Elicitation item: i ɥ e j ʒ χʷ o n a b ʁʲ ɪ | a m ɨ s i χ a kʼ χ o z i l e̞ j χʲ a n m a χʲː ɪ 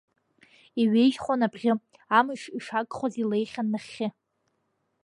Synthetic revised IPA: i ɥ e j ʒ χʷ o n a b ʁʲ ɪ | a m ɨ ʂ i ʂ a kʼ χ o z i l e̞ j χʲ a n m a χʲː ɪ